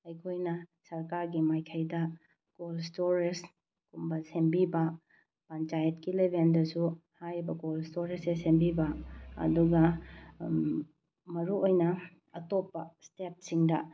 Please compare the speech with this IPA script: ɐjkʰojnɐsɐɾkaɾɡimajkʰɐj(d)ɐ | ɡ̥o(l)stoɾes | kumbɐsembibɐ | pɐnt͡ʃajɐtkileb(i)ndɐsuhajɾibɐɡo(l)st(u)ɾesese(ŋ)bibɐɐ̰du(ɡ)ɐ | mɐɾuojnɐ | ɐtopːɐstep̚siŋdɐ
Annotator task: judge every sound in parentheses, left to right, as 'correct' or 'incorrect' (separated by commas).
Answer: correct, correct, incorrect, correct, incorrect, incorrect, correct